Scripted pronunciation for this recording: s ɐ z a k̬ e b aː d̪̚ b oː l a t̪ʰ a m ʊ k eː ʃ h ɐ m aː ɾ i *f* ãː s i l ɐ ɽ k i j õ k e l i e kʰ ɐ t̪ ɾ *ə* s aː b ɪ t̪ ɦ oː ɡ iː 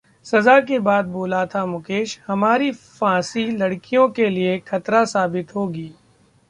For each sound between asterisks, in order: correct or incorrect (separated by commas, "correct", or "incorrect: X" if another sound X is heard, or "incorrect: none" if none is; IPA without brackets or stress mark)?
correct, incorrect: a